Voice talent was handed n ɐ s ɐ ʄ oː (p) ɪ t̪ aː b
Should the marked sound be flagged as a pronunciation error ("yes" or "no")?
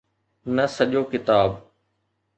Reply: yes